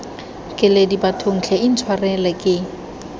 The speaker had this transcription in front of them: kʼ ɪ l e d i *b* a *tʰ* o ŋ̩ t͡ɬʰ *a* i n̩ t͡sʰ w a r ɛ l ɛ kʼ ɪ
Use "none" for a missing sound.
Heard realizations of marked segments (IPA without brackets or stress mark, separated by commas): b, tʰ, ɛ